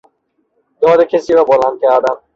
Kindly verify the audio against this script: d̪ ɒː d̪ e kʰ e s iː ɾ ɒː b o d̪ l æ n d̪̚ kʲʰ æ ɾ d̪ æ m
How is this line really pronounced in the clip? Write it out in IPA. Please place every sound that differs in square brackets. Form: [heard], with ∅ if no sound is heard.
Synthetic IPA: d̪ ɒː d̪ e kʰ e s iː ɾ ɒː b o [∅] l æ n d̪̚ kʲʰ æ ɾ d̪ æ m